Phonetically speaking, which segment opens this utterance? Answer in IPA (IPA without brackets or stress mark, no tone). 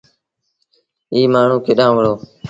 iː